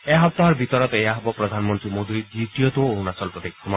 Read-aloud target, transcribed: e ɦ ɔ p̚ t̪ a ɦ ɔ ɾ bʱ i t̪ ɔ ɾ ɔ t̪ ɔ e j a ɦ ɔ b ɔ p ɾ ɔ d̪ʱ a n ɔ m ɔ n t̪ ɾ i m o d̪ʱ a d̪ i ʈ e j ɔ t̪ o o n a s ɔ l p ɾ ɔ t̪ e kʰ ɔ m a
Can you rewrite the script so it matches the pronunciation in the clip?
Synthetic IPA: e ɦ ɔ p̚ t̪ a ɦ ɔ ɾ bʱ i t̪ ɔ ɾ ɔ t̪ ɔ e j a ɦ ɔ b ɔ p ɾ ɔ d̪ʱ a n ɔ m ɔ n t̪ ɾ i m o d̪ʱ i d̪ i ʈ i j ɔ t̪ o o n a s ɔ l p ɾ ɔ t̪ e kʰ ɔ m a